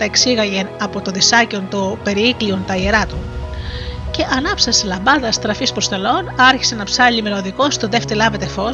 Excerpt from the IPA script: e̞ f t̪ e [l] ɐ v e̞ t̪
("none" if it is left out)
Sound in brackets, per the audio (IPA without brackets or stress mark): l